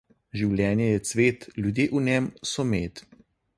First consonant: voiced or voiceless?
voiced